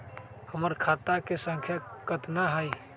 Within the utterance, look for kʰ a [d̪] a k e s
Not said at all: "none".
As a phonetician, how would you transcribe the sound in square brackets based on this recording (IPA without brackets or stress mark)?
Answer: t̪